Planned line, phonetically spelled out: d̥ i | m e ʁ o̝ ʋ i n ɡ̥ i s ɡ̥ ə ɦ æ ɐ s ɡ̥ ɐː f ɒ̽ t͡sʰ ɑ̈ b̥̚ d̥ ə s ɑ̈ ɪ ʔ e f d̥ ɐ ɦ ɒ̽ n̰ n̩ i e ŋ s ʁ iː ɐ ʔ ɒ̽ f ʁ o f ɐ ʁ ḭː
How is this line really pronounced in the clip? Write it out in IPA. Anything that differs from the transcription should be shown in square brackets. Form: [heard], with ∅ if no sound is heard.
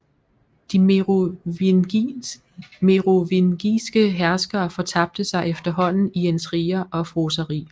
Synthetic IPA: d̥ i | m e ʁ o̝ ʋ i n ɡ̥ i s ɡ̥ ə ɦ æ ɐ s ɡ̥ ɐː f ɒ̽ t͡sʰ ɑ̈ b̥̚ d̥ ə s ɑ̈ ɪ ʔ e f d̥ ɐ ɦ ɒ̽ n̰ n̩ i e [n] s ʁ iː ɐ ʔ ɒ̽ f ʁ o [s] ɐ ʁ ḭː

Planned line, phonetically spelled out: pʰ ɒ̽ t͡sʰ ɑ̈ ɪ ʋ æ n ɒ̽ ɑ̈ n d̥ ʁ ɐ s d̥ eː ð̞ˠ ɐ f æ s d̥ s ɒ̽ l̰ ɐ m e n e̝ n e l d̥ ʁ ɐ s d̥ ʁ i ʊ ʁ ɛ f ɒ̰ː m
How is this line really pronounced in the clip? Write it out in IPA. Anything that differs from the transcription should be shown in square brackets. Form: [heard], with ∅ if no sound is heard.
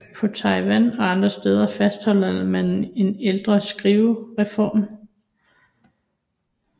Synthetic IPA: pʰ ɒ̽ t͡sʰ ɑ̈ ɪ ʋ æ n ɒ̽ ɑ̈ n d̥ ʁ ɐ s d̥ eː ð̞ˠ ɐ f æ s d̥ [h] ɒ̽ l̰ ɐ m [æ] n e̝ n e l d̥ ʁ ɐ s [ɡ̥] ʁ i ʊ ʁ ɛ f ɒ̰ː m

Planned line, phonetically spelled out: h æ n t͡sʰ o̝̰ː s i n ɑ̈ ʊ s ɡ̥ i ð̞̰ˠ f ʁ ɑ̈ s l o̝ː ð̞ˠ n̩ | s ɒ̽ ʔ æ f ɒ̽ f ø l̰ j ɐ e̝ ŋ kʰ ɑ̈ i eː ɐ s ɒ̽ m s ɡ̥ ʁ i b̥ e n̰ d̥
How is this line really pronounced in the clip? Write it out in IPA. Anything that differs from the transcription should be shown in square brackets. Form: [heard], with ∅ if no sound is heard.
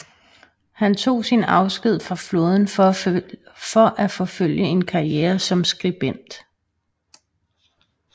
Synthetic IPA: h æ n t͡sʰ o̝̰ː s i n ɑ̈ ʊ s ɡ̥ i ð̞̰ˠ f ʁ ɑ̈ [f] l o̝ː ð̞ˠ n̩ | [f] ɒ̽ ʔ æ f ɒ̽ f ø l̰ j [ə] e̝ [n] kʰ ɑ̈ i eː ɐ s ɒ̽ m s ɡ̥ ʁ i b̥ e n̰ d̥

